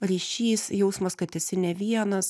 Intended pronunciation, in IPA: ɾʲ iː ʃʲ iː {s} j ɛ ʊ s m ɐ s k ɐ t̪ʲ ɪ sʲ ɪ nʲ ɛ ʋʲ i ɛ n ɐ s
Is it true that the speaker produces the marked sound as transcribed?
yes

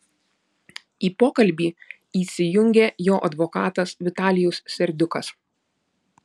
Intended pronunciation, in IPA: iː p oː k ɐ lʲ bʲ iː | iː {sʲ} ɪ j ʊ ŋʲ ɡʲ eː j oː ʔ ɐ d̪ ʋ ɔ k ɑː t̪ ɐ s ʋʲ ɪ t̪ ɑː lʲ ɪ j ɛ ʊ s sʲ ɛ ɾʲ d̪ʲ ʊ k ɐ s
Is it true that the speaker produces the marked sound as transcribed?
yes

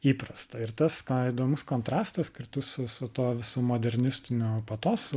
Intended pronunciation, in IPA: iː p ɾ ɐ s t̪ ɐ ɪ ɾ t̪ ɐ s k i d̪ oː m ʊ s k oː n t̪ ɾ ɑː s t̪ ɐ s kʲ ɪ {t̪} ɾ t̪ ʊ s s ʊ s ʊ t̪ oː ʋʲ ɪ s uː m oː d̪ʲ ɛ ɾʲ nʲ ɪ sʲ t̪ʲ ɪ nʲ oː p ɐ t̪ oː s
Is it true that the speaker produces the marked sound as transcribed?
no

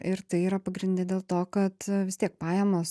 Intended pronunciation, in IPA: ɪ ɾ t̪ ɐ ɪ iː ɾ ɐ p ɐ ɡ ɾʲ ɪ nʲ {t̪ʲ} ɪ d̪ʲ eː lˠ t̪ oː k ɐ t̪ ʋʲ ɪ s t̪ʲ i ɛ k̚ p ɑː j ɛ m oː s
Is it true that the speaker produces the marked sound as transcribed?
no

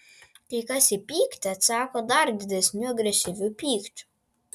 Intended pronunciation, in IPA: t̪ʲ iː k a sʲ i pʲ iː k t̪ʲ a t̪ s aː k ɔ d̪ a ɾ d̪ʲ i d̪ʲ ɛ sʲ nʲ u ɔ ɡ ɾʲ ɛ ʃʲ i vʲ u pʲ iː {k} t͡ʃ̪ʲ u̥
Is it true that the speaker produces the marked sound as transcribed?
yes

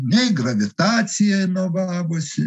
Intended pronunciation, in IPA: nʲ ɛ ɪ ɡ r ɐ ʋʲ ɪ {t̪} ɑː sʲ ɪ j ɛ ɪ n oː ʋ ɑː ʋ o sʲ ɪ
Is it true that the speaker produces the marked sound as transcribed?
yes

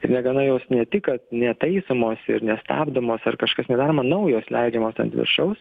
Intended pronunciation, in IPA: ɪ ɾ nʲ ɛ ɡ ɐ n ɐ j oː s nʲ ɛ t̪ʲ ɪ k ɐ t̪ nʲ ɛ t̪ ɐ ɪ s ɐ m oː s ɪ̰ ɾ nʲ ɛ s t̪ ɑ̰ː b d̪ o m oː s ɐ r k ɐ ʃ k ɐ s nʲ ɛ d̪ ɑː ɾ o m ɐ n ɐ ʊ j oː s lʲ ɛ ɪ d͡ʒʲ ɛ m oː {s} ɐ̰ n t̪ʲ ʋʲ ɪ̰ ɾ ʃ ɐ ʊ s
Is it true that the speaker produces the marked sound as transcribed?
yes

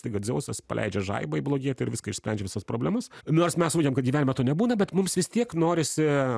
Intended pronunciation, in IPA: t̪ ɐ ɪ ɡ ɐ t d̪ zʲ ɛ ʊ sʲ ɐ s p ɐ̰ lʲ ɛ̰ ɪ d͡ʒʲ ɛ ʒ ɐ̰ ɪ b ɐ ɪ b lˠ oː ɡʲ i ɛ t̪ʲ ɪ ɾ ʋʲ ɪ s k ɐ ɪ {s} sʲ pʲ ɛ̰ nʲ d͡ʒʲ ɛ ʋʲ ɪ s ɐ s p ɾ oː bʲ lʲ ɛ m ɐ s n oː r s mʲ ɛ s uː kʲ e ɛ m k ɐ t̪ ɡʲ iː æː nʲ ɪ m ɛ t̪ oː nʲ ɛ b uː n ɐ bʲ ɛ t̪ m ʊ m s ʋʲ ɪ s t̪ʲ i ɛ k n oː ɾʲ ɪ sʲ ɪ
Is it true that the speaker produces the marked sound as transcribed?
no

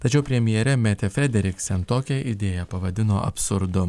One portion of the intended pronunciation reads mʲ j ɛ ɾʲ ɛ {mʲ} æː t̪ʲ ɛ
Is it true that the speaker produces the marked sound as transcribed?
yes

